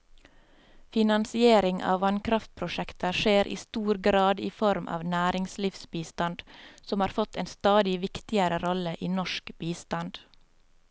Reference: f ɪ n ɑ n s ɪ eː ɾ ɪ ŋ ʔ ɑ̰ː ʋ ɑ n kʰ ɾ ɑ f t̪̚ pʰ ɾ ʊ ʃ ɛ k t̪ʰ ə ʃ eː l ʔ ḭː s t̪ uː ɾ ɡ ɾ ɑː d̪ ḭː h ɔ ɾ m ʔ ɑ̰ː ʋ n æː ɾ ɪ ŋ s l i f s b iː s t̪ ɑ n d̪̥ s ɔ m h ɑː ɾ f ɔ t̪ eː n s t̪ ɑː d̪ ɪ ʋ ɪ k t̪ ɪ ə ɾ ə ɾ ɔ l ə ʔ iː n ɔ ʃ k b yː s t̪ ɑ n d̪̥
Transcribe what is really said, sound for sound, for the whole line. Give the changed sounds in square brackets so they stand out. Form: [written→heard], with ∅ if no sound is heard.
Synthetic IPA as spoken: f ɪ n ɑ n s ɪ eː ɾ ɪ ŋ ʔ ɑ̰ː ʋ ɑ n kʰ ɾ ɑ f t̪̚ pʰ ɾ ʊ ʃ ɛ k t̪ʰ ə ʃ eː [l→ɾ] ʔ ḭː s t̪ uː ɾ ɡ ɾ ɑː d̪ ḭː [h→f] ɔ ɾ m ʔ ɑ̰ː ʋ n æː ɾ ɪ ŋ s l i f s b iː s t̪ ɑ n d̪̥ s ɔ m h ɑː ɾ f ɔ t̪ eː n s t̪ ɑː d̪ ɪ ʋ ɪ k t̪ ɪ ə ɾ ə ɾ ɔ l ə ʔ iː n ɔ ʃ k b [yː→iː] s t̪ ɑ n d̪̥